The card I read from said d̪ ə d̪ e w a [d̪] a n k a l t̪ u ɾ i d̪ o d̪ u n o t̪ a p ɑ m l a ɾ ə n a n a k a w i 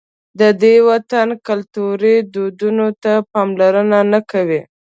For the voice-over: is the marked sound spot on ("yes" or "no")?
no